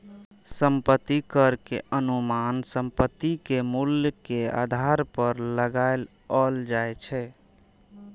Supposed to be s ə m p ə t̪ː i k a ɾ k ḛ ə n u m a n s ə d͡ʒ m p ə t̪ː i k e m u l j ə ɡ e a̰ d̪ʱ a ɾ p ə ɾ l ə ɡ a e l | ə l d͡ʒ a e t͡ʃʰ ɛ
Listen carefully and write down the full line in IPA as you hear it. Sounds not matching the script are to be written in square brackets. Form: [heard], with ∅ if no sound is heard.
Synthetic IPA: s ə m p ə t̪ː i k [ə] ɾ k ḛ ə n u m a n s ə [∅] m p ə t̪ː i k e m u l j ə [k] e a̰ d̪ʱ a ɾ p ə ɾ l ə ɡ a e l | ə l d͡ʒ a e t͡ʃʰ ɛ